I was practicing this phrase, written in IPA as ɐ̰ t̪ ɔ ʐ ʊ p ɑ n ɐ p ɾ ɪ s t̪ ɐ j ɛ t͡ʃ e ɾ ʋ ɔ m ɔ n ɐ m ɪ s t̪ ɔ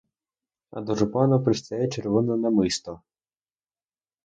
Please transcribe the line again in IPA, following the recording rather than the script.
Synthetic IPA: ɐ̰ d̪ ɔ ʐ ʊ p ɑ n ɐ p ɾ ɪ s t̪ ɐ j ɛ t͡ʃ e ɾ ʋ ɔ n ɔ n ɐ m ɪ s t̪ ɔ

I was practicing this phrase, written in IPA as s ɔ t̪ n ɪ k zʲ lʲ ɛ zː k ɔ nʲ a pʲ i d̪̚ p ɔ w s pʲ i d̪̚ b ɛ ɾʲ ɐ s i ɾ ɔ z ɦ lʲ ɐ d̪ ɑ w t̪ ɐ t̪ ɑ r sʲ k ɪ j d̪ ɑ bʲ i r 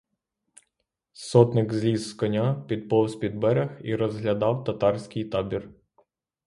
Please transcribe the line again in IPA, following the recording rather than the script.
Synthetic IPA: s ɔ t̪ n ɪ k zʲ lʲ i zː k ɔ nʲ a pʲ i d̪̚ p ɔ w s pʲ i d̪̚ b ɛ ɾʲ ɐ x i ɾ ɔ z ɦ lʲ ɐ d̪ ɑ w t̪ ɐ t̪ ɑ r sʲ k ɪ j t̪ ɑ bʲ i r

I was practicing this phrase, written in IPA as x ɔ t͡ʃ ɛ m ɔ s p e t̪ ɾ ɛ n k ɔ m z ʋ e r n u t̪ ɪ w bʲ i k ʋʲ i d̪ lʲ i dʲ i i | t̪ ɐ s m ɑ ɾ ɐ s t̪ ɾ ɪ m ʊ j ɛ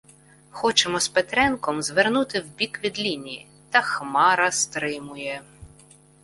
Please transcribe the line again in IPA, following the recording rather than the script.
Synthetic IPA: x ɔ t͡ʃ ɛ m ɔ s p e t̪ ɾ ɛ n k ɔ m z ʋ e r n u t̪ ɪ w bʲ i k ʋʲ i d̪ lʲ i nʲ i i | t̪ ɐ x m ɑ ɾ ɐ s t̪ ɾ ɪ m ʊ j ɛ

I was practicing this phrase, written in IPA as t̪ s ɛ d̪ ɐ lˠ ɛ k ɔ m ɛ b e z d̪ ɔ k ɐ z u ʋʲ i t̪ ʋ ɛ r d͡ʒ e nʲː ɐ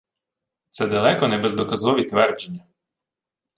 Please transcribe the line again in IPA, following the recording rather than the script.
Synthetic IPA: t̪ s ɛ d̪ ɐ lˠ ɛ k ɔ n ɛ b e z d̪ ɔ k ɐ z ɔ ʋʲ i t̪ ʋ ɛ r d͡ʒ e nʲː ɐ

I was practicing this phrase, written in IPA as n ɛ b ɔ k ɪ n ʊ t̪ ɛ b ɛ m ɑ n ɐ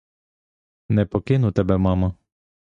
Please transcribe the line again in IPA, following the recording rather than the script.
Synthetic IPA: n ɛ p ɔ k ɪ n ʊ t̪ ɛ b ɛ m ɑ m ɐ

